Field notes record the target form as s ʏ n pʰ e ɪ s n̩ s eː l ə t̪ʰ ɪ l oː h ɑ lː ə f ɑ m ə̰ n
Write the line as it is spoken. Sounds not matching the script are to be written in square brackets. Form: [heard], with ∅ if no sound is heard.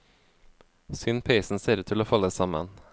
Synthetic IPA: s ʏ n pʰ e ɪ s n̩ s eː [ɾ] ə t̪ʰ ɪ l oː [f] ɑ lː ə [s] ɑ m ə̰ n